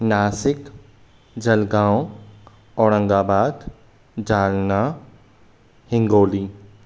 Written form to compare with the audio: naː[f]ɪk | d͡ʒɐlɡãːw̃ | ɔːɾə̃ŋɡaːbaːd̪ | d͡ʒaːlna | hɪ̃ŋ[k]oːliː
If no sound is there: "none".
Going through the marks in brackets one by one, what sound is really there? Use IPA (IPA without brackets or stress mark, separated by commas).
s, ɡ